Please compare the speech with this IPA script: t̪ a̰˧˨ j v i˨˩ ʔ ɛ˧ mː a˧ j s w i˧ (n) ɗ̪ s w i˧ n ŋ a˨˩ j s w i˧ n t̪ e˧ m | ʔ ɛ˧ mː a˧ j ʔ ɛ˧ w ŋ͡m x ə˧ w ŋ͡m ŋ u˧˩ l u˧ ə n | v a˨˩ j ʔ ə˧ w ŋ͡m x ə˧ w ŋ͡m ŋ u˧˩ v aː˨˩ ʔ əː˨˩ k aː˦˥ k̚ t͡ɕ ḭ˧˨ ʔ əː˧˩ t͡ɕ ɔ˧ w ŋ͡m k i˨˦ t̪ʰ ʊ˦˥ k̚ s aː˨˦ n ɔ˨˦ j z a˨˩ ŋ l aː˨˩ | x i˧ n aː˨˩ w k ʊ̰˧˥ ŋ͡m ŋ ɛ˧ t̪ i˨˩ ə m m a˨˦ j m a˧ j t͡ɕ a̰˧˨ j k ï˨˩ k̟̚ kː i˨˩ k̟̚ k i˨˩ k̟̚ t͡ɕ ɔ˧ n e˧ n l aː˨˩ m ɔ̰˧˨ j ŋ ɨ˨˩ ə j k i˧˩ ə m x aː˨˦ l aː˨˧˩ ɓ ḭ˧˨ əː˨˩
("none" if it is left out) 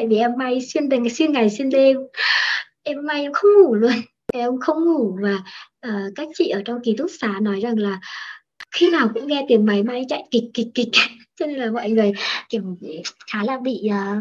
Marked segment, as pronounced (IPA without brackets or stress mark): n